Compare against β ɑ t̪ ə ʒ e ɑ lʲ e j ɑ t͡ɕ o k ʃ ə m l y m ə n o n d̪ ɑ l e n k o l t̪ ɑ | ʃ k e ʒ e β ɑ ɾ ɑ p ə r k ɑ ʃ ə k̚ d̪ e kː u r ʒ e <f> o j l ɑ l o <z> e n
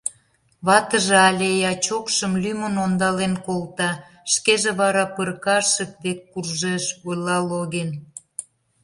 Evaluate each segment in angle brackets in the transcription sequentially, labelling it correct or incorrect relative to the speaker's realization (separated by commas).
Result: incorrect, incorrect